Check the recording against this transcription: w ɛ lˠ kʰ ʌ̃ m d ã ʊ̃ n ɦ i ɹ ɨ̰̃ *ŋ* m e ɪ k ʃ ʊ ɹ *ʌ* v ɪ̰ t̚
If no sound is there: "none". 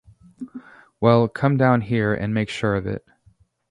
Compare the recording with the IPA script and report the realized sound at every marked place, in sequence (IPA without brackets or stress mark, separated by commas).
n, ʌ